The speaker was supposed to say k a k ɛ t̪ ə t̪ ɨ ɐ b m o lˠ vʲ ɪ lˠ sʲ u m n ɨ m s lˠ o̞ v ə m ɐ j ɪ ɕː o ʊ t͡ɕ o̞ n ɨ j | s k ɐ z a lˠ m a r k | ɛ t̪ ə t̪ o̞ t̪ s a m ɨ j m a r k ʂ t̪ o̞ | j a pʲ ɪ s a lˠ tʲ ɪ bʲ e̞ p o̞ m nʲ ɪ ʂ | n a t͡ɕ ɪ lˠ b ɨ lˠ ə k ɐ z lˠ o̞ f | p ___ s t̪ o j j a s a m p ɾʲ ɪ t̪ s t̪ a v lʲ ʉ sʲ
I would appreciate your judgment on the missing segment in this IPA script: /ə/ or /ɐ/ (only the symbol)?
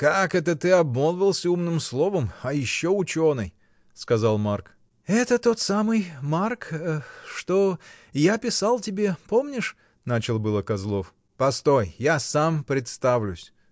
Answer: ɐ